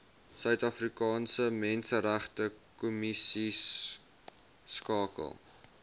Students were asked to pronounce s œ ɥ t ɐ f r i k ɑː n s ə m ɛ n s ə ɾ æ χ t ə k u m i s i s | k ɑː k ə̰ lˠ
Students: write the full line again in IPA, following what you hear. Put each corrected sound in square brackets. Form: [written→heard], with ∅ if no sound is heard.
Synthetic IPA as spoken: s œ ɥ t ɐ f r i k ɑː n s ə m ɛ n s ə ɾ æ χ t ə k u m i s i s | k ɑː k ə̰ lˠ